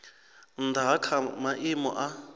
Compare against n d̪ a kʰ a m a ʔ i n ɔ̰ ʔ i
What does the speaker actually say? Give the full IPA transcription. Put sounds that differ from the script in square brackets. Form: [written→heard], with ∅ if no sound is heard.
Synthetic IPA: n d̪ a kʰ a m a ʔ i [n→m] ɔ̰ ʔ [i→a]